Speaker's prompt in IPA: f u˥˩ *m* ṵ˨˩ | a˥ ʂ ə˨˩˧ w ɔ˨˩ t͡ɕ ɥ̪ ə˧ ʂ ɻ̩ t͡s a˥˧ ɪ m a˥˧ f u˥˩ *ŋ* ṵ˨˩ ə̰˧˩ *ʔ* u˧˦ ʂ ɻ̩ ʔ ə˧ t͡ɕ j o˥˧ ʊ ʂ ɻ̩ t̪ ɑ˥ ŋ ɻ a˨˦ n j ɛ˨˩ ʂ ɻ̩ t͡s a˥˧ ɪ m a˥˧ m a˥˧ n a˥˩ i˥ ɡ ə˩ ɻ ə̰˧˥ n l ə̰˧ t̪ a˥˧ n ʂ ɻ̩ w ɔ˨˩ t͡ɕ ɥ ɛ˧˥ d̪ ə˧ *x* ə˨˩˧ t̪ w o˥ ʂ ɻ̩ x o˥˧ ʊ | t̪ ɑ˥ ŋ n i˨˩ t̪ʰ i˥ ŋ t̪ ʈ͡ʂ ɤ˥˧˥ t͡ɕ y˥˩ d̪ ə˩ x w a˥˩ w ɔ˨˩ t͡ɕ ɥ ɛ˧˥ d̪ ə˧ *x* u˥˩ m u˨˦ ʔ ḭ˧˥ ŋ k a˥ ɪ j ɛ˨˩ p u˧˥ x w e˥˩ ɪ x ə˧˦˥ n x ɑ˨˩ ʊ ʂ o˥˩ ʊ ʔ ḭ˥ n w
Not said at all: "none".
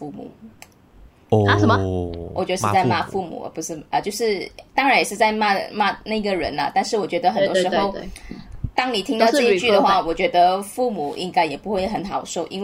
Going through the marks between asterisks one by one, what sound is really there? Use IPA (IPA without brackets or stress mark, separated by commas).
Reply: m, m, p, x, f